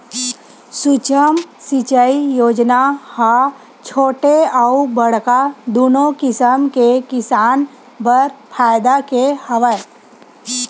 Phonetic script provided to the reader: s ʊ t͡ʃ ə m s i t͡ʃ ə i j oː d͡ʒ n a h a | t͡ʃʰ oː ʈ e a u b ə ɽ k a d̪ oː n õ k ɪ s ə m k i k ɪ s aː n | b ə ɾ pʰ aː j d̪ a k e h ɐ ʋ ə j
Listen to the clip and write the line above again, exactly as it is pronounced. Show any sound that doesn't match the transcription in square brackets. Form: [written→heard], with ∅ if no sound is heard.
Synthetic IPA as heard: s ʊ t͡ʃ ə m s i t͡ʃ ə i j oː d͡ʒ n a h a | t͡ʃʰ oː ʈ e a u b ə ɽ k a d̪ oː n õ k ɪ s ə m k [i→e] k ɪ s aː n | b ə ɾ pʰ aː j d̪ a k e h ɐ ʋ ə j